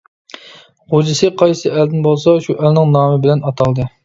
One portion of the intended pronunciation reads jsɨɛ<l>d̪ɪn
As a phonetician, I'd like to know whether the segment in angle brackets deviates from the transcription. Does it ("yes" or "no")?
no